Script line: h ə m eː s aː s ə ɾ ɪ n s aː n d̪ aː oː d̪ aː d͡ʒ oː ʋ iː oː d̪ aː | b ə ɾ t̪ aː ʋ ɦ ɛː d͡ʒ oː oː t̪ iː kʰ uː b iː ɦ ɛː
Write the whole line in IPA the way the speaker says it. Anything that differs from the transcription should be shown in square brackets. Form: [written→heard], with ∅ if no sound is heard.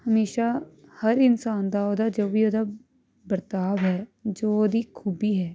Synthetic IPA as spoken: h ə m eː [s→ʃ] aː [s→h] ə ɾ ɪ n s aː n d̪ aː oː d̪ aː d͡ʒ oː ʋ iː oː d̪ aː | b ə ɾ t̪ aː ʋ ɦ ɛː d͡ʒ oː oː [t̪→d̪] iː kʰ uː b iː ɦ ɛː